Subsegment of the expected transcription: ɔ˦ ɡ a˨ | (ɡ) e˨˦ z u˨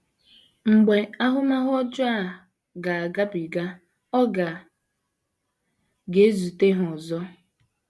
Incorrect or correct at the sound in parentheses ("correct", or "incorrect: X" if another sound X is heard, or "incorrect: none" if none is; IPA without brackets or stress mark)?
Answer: correct